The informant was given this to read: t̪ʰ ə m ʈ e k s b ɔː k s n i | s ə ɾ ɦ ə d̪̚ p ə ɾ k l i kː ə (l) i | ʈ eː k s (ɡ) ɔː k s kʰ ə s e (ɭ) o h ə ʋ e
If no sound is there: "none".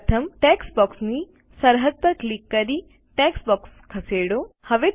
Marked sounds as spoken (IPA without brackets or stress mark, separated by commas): ɾ, b, ɽ